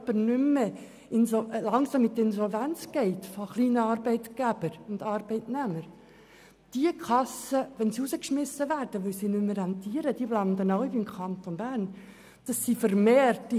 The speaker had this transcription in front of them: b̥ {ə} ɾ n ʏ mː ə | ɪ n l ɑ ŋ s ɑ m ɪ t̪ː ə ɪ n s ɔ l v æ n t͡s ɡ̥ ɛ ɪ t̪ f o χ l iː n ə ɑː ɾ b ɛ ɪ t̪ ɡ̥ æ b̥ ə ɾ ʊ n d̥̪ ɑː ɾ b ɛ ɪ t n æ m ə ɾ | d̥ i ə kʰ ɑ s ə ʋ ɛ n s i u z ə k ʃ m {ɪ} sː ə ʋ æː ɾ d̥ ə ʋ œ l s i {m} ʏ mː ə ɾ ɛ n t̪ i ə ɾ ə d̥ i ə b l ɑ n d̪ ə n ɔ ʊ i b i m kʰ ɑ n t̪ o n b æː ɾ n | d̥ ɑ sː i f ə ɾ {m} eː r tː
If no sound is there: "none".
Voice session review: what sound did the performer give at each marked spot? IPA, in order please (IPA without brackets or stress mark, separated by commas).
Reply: ə, ɪ, n, m